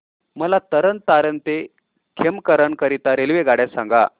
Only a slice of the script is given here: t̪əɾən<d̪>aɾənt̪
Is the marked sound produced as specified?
no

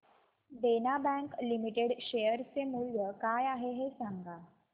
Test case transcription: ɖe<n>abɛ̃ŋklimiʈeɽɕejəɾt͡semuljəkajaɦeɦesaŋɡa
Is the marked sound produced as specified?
yes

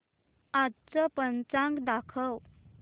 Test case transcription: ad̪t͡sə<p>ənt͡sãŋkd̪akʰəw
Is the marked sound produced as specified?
yes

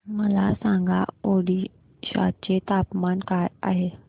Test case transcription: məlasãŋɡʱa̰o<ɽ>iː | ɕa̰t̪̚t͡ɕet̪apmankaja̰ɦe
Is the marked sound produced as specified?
yes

